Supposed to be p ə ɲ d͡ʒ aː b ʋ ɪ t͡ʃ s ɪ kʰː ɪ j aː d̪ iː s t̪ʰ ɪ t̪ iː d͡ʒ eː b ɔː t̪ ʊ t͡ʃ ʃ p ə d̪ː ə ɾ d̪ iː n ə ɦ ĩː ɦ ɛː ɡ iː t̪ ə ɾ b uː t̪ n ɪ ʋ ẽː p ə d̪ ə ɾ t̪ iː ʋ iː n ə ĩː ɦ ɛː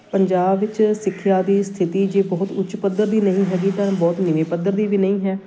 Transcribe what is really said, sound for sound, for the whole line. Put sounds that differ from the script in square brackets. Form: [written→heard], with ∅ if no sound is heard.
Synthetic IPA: p ə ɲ d͡ʒ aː b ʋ ɪ t͡ʃ s ɪ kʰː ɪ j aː d̪ iː s t̪ʰ ɪ t̪ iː d͡ʒ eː b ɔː t̪ ʊ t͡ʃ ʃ p ə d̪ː ə ɾ d̪ iː n ə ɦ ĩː ɦ ɛː ɡ iː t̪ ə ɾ b [uː→ɔː] t̪ n ɪ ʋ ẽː p ə d̪ ə ɾ [t̪→d̪] iː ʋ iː n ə ĩː ɦ ɛː